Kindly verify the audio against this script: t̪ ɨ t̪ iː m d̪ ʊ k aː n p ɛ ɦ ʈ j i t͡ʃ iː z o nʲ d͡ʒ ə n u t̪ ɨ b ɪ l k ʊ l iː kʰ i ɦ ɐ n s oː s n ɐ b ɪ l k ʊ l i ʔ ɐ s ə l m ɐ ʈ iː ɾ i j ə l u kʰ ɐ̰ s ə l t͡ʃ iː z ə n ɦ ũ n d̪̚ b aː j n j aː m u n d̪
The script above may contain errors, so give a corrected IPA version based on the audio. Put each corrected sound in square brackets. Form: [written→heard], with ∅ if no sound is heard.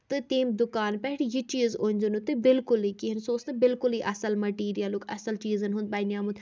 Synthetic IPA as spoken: t̪ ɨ t̪ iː m d̪ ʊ k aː n p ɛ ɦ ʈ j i t͡ʃ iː z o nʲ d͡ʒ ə n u t̪ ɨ b ɪ l k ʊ l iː [kʰ→k] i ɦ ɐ n s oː s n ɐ b ɪ l k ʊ l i ʔ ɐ s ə l m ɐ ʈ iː ɾ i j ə l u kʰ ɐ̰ s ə l t͡ʃ iː z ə n ɦ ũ n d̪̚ b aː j n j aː m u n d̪